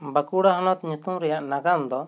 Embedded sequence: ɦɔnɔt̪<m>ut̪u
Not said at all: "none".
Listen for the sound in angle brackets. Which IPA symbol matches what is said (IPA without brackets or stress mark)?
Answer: ɲ